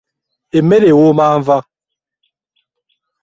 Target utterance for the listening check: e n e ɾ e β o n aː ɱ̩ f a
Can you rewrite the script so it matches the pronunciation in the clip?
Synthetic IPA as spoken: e m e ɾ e w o m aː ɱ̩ v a